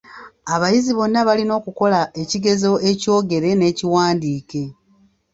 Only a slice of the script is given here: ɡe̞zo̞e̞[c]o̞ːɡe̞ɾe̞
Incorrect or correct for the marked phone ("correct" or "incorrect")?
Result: correct